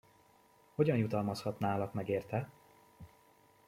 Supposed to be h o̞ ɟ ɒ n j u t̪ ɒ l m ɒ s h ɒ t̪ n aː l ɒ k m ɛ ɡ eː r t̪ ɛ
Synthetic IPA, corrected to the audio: h o̞ ɟ ɒ n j u t̪ ɒ l m ɒ s h ɒ t̪ n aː l ɒ k m ɛ ɡ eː r t̪ ɛ